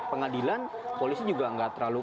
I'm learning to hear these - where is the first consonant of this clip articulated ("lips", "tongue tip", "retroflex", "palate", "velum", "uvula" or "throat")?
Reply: lips